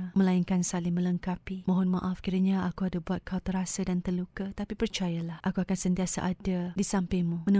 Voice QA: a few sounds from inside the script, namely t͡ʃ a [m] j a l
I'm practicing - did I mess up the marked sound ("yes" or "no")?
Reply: yes